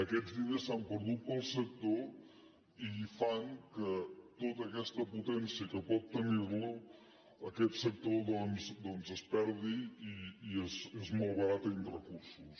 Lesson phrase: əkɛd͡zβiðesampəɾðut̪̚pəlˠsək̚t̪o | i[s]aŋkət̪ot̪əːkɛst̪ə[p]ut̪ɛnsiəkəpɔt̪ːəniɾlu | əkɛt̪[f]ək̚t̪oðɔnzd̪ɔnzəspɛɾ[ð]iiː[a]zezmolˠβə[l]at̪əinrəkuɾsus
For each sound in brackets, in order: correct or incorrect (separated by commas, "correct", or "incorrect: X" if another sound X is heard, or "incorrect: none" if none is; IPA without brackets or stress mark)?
incorrect: f, correct, incorrect: s, correct, incorrect: e, incorrect: ɾ